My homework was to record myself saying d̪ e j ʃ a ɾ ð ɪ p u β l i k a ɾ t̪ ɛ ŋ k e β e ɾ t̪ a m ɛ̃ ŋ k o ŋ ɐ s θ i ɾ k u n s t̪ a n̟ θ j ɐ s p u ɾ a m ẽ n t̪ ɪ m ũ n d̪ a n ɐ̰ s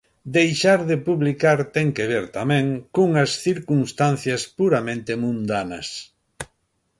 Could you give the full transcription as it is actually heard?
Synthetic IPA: d̪ e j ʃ a ɾ ð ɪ p u β l i k a ɾ t̪ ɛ ŋ k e β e ɾ t̪ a m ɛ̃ ŋ k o ŋ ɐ s θ i ɾ k u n s t̪ a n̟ θ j ɐ s p u ɾ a m ẽ n t̪ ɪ m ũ n d̪ a n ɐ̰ s